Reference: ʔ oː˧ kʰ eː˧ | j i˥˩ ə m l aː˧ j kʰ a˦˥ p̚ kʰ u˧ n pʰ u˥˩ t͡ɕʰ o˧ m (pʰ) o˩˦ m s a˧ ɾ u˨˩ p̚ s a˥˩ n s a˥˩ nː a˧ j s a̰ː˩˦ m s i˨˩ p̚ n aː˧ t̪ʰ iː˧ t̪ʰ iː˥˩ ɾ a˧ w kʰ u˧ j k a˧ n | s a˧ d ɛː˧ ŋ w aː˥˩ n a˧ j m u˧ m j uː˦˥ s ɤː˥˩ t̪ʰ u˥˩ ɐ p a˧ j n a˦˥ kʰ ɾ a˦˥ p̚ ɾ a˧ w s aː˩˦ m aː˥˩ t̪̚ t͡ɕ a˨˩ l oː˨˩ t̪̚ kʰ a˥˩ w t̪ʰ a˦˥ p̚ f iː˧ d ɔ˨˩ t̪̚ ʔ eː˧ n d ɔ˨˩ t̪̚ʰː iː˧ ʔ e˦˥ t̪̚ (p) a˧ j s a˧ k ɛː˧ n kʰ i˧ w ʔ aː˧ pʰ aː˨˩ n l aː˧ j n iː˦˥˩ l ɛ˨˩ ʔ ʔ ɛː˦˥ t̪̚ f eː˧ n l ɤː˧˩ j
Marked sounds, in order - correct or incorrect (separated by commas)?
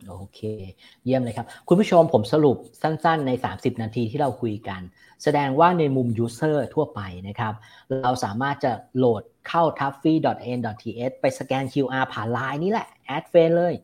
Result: correct, correct